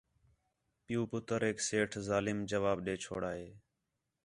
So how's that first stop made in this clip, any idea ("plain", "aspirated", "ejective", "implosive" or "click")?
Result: plain